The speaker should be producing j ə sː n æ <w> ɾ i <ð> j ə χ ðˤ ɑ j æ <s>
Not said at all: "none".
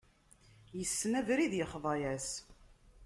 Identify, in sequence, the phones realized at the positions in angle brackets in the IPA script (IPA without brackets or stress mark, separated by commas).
v, ð, s